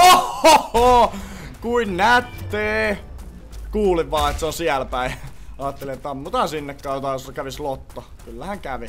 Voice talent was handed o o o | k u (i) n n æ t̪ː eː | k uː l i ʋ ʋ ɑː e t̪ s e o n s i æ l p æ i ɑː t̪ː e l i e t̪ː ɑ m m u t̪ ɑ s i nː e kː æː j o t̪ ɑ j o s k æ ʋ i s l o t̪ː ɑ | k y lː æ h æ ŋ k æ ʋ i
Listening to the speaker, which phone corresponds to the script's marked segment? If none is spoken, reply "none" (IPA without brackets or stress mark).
i